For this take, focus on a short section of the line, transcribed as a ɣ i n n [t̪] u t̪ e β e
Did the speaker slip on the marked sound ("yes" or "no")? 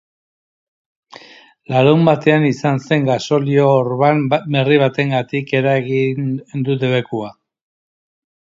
yes